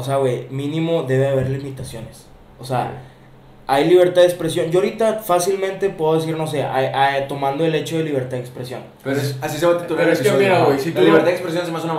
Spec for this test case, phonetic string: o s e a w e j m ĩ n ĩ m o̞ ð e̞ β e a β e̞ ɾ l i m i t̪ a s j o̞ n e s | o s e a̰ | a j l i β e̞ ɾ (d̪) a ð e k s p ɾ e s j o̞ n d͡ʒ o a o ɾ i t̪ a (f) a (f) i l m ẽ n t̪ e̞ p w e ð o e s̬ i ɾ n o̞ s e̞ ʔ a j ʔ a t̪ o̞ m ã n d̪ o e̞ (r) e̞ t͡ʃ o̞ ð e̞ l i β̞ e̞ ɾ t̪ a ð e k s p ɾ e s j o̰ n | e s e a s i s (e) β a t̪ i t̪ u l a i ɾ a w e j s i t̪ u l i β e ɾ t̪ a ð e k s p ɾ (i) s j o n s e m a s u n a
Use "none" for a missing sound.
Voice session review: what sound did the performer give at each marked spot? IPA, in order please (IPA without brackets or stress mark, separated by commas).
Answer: t̪, f, s, l, e, e